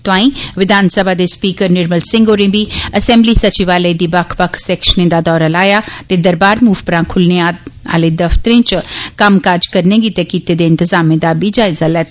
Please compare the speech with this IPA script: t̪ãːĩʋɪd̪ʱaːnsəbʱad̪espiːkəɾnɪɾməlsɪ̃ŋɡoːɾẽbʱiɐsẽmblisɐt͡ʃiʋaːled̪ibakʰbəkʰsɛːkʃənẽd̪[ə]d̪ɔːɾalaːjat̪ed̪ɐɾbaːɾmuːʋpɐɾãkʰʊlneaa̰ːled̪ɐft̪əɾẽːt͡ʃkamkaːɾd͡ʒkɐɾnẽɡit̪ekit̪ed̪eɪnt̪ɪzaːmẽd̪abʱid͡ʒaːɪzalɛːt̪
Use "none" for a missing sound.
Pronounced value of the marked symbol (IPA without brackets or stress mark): a